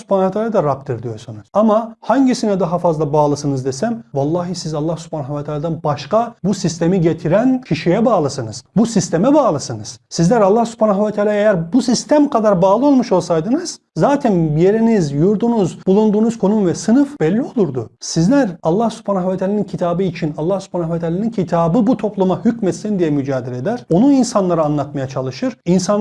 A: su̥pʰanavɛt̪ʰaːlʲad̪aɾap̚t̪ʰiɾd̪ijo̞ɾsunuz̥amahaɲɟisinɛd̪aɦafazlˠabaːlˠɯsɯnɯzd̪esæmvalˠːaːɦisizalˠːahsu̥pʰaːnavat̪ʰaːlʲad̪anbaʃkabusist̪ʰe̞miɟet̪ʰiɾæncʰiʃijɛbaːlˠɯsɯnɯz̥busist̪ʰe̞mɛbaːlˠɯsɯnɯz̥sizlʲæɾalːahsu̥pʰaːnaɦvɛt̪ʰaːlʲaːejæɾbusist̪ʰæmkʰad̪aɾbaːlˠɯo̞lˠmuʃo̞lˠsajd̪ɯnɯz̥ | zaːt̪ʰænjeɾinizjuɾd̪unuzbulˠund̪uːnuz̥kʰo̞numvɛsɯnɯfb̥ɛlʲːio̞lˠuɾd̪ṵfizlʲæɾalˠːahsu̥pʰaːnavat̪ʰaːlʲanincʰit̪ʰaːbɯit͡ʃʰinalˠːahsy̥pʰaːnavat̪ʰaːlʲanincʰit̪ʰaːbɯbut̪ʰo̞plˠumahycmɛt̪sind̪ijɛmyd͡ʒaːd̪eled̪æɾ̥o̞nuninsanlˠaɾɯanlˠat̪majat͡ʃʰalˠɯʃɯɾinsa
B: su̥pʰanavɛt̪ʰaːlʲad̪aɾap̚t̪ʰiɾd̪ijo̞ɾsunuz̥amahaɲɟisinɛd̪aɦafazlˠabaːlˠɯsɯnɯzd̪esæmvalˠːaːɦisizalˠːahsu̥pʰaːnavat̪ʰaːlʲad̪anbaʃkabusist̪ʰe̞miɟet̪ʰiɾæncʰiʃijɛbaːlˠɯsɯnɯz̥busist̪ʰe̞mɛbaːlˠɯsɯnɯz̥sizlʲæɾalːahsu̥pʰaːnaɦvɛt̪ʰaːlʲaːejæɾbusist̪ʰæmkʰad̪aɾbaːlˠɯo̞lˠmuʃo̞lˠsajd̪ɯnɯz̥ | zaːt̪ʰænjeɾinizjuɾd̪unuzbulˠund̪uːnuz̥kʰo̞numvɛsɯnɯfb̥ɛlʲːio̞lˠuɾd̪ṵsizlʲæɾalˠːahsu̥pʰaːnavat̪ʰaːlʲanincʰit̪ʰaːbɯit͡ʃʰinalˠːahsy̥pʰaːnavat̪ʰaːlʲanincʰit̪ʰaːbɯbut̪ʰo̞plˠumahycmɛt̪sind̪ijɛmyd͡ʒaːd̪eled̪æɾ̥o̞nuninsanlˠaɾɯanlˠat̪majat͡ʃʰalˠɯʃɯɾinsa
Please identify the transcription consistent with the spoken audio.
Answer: B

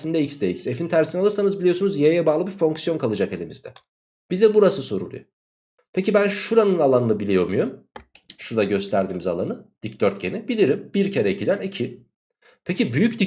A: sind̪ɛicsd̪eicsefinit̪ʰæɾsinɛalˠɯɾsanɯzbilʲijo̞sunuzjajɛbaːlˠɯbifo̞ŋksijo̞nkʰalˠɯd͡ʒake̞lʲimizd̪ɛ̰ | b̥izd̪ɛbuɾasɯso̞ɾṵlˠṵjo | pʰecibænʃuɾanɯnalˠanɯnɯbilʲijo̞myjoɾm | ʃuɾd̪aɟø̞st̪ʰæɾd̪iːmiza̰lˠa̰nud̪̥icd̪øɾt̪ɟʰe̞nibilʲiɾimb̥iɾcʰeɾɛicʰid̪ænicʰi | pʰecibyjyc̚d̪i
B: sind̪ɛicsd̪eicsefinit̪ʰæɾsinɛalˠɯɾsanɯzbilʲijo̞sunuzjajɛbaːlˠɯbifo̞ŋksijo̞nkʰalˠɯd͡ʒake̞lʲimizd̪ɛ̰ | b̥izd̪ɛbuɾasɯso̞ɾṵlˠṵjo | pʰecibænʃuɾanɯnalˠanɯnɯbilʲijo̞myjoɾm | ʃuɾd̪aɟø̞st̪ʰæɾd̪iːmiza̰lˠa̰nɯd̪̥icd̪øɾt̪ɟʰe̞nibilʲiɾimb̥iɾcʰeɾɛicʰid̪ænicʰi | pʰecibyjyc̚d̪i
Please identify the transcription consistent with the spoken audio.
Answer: B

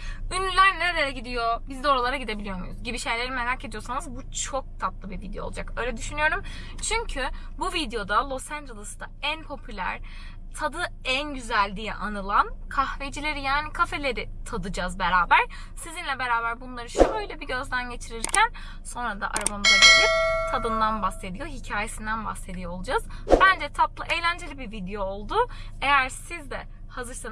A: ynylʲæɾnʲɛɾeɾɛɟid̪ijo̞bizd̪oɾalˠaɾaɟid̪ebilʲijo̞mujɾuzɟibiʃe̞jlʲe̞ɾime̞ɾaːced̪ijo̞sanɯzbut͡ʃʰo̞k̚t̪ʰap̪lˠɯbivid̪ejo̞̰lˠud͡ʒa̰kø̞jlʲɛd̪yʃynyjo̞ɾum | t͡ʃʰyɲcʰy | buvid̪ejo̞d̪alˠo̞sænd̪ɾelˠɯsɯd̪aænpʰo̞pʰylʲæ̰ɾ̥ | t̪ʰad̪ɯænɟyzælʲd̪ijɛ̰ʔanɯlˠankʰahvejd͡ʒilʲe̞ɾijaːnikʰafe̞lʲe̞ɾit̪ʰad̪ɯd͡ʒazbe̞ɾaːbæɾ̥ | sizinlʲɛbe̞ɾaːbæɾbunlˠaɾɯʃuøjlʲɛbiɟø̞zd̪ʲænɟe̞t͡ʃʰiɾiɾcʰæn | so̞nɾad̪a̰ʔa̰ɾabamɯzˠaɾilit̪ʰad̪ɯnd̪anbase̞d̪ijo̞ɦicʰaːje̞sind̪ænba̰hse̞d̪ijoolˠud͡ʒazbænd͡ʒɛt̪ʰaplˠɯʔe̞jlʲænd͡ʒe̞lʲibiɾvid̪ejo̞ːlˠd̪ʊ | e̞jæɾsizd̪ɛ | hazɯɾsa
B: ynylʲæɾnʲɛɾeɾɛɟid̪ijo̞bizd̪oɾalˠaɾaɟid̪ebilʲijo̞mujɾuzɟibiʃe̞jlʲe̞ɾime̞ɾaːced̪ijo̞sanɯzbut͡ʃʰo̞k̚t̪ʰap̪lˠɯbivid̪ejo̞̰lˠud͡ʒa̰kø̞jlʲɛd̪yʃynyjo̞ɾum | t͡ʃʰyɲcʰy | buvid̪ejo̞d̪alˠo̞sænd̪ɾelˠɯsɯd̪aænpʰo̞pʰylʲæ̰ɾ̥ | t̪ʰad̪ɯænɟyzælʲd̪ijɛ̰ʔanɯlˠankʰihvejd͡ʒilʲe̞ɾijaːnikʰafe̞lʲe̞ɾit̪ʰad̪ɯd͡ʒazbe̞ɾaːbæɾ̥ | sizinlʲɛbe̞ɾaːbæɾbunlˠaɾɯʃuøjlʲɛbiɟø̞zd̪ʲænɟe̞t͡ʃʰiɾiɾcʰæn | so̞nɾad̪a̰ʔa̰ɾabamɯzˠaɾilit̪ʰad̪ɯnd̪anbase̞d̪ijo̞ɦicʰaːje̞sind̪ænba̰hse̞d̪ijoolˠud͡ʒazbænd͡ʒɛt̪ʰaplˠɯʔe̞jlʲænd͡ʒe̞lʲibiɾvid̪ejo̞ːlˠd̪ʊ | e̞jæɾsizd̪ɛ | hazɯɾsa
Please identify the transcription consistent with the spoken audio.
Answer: A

